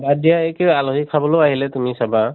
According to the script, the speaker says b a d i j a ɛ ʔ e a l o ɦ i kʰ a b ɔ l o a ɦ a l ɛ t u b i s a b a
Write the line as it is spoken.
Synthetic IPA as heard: b a d i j a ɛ k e a l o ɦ i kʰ a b ɔ l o a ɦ i l ɛ t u m i s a b a